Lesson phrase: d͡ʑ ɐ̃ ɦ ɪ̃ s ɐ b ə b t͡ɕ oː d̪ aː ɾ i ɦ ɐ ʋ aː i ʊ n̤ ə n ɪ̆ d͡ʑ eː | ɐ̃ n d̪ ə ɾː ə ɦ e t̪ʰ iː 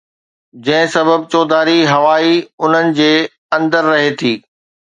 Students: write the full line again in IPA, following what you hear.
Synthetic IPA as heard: d͡ʑ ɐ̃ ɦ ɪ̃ s ɐ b ə b t͡ɕ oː d̪ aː ɾ i ɦ ɐ ʋ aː i ʊ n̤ ə n ɪ̆ d͡ʑ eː | ɐ̃ n d̪ ə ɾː ɐ ɦ e t̪ʰ iː